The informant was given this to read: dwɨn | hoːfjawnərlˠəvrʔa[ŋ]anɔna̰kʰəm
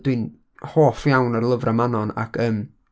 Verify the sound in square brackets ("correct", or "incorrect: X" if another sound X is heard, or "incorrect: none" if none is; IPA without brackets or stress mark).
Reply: incorrect: m